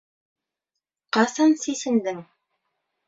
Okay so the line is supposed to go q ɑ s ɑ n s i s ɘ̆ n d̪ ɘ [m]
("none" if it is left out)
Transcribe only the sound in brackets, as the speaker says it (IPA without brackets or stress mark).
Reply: ŋ